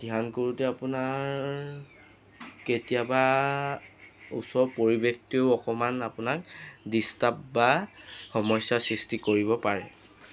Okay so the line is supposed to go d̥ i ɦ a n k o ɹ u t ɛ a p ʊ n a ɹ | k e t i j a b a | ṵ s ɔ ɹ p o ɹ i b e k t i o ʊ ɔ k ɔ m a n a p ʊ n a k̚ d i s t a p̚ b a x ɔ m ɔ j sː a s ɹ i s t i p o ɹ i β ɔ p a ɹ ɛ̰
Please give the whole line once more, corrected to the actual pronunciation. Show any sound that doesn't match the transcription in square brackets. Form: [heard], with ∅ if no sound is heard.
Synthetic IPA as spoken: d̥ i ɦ a n k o ɹ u t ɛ a p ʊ n a ɹ | k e t i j a b a | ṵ s ɔ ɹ p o ɹ i b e k t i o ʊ ɔ k ɔ m a n a p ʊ n a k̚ d i s t a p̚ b a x ɔ m ɔ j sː a s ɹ i s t i [k] o ɹ i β ɔ p a ɹ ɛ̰